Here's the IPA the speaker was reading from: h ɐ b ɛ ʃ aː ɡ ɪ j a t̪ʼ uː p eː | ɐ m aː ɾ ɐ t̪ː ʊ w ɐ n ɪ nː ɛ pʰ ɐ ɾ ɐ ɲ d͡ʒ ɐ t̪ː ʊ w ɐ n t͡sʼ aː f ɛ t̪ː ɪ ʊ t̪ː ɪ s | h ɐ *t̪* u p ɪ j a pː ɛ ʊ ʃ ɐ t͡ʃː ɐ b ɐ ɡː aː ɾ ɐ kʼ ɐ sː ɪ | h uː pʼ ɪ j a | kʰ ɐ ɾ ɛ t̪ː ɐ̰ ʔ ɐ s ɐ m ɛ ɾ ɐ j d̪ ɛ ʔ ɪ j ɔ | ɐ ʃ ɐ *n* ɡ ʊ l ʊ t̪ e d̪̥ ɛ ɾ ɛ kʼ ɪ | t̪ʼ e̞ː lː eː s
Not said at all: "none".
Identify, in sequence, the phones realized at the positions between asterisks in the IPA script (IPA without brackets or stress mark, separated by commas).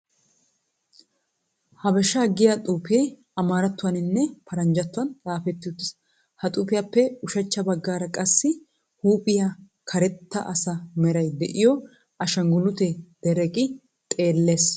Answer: t̪ʼ, ŋ